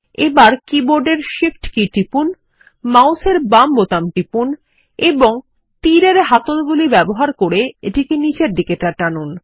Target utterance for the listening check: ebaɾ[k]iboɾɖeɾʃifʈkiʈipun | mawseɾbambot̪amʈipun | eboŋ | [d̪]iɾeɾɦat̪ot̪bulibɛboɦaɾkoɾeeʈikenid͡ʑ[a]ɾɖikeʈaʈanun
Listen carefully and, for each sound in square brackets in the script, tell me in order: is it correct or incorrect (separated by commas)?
correct, incorrect, incorrect